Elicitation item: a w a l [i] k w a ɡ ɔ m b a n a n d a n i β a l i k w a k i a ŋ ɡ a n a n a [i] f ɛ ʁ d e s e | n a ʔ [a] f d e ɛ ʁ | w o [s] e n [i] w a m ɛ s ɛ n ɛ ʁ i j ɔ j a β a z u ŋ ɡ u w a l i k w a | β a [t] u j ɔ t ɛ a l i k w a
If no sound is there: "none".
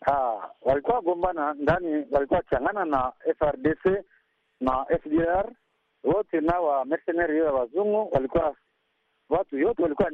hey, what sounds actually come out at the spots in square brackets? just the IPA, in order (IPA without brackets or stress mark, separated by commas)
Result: i, ɛ, ɛ, t, a, t